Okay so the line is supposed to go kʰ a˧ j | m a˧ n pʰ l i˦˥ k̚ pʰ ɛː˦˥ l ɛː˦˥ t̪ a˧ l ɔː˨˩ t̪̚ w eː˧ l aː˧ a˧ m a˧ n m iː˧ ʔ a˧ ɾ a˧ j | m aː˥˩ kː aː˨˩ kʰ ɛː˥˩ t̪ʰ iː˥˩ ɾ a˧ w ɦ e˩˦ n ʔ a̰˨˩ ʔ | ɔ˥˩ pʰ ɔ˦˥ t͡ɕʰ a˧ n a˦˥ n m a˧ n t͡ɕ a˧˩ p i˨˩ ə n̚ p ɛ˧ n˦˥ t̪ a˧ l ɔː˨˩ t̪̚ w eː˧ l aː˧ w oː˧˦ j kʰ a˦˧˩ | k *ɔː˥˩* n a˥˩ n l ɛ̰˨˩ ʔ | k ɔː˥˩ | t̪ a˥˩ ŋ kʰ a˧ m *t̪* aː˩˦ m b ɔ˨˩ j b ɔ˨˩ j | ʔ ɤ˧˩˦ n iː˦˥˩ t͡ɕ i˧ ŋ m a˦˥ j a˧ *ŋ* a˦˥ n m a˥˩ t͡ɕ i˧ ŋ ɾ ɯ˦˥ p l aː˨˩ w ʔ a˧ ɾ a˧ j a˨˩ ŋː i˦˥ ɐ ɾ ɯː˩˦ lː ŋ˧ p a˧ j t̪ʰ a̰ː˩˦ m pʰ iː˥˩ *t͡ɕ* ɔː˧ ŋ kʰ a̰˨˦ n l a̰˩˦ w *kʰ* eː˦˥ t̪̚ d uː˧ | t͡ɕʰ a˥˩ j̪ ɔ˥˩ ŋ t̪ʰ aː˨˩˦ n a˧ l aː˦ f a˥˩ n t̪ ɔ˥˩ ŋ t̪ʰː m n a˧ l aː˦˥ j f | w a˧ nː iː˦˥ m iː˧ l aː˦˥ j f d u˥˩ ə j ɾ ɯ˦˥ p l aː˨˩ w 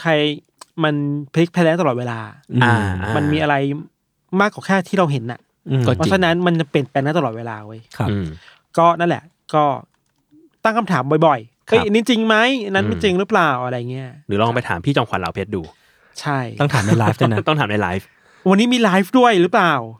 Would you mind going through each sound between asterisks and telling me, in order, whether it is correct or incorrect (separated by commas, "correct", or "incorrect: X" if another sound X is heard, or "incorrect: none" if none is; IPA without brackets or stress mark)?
correct, incorrect: t̪ʰ, incorrect: n, correct, incorrect: pʰ